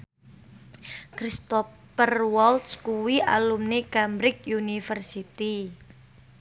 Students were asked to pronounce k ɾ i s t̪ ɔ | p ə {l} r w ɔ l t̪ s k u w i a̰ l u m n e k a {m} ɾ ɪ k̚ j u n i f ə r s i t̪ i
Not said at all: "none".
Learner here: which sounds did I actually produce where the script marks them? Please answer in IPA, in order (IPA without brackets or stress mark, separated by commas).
none, m